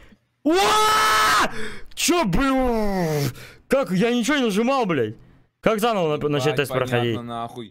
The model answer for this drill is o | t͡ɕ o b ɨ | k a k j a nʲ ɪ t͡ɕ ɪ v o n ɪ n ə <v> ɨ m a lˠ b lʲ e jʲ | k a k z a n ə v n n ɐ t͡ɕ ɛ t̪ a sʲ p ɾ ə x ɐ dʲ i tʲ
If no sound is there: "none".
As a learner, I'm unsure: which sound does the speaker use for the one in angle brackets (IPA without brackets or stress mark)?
ʐ